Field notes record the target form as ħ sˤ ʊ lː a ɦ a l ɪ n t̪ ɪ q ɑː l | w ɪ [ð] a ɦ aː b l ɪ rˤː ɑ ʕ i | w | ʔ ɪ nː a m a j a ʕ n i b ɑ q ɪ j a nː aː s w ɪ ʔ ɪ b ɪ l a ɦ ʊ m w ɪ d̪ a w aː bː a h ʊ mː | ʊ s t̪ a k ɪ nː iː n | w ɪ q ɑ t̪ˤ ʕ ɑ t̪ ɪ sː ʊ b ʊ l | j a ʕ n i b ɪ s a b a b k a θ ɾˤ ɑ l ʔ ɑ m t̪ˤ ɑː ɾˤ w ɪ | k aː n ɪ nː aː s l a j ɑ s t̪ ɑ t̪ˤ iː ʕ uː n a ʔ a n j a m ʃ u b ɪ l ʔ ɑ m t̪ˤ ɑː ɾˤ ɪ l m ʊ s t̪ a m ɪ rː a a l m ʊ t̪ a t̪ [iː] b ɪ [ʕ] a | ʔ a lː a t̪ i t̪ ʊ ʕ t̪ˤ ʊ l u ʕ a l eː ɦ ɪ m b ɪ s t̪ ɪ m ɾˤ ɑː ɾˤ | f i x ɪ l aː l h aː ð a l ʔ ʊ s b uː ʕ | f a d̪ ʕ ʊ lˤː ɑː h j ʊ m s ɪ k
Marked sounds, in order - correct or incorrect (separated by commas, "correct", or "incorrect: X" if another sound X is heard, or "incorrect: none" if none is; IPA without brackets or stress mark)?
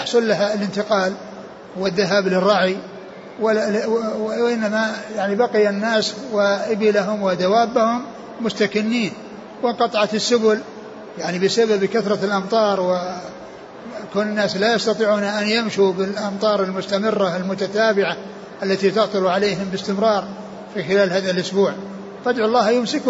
incorrect: ðː, incorrect: aː, correct